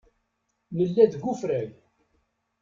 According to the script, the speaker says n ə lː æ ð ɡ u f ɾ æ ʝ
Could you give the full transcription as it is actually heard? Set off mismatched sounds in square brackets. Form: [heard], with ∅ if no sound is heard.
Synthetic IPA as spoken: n ə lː æ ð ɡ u f ɾ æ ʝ